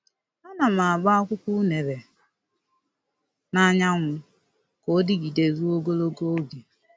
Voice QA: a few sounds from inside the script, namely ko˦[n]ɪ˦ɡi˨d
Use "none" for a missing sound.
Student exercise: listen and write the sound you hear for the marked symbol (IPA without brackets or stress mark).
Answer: d